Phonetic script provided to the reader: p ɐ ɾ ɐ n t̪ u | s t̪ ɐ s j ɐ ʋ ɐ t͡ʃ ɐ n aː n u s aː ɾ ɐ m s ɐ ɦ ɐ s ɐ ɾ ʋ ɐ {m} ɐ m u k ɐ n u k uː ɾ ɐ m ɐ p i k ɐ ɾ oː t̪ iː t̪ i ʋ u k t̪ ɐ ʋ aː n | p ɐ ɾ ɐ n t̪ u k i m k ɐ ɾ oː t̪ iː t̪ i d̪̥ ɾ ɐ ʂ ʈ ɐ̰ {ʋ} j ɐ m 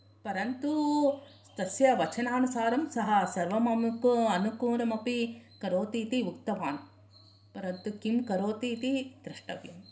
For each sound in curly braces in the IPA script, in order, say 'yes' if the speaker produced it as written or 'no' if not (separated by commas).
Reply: yes, yes